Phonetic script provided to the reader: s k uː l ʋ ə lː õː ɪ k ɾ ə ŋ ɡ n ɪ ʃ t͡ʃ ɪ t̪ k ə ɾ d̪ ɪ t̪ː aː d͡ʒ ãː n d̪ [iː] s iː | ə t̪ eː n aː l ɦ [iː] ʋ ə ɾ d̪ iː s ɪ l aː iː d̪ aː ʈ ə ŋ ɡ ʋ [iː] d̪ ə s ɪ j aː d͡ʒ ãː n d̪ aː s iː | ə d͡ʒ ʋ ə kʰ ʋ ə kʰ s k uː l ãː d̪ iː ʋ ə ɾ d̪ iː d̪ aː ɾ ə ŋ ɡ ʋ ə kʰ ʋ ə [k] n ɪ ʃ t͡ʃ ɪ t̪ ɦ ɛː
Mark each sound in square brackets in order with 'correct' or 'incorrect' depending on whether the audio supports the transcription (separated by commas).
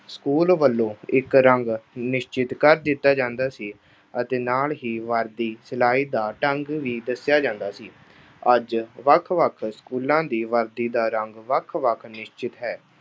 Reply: incorrect, correct, correct, incorrect